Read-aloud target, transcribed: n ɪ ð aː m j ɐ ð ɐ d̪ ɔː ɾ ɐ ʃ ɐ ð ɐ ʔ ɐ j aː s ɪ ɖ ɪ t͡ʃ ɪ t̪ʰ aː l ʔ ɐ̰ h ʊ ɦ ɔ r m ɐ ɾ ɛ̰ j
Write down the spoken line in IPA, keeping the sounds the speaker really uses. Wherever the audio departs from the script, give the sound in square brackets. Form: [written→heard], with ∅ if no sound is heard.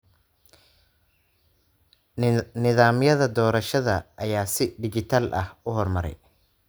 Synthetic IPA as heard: n ɪ ð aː m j ɐ ð ɐ d̪ ɔː ɾ ɐ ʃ ɐ ð ɐ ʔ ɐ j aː s ɪ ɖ ɪ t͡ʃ ɪ t̪ʰ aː l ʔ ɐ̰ h ʊ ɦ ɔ r m ɐ ɾ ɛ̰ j